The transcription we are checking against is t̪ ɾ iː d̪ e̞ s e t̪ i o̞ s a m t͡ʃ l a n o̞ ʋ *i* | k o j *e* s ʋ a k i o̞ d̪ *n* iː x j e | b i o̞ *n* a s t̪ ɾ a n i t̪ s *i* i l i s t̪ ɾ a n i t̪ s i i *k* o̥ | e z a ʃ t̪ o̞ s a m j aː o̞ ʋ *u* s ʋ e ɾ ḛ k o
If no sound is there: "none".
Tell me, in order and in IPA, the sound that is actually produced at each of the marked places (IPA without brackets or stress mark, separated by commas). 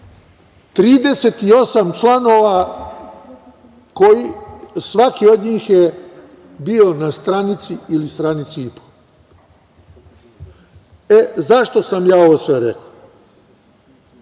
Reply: a, i, ɲ, n, i, p, o